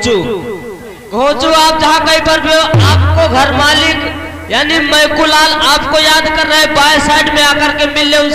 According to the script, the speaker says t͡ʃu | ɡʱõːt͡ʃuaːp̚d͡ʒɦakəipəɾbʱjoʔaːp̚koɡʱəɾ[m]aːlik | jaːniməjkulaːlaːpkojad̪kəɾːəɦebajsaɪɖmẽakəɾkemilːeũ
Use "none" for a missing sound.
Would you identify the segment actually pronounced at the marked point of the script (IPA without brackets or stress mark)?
m